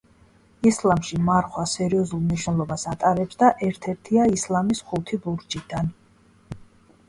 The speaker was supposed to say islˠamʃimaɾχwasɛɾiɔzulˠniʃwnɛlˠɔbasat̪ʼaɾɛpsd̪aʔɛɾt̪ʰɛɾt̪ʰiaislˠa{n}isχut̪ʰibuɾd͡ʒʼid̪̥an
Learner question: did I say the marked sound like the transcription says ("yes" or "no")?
no